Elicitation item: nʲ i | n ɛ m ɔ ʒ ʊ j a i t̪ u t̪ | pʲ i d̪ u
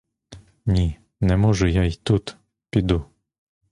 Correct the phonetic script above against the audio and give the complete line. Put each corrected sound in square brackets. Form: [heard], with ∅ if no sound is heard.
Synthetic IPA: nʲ i | n ɛ m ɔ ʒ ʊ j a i t̪ u t̪ | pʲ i d̪ u